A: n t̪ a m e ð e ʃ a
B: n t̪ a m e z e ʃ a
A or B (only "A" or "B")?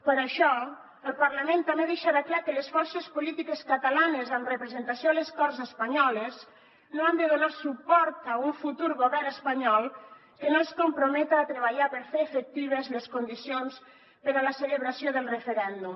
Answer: A